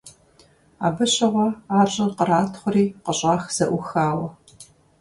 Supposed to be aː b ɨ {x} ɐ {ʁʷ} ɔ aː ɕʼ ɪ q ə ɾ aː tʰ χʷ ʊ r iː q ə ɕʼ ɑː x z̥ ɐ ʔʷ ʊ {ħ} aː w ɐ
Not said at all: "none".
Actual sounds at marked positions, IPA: ɕ, ʁʷ, x

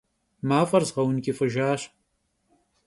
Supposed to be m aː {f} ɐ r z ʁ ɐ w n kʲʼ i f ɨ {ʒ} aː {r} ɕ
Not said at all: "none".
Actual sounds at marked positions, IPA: f, ʒ, none

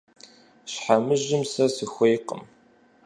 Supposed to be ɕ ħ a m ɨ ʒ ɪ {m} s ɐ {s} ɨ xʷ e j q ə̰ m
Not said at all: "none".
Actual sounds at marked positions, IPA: m, s

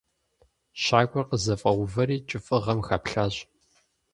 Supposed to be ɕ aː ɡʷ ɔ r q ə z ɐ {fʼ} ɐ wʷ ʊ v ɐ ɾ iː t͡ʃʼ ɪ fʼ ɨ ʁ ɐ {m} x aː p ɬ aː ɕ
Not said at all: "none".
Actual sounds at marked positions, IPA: fʼ, m

